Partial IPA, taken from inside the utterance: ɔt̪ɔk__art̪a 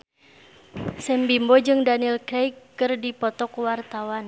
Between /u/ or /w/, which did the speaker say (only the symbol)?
w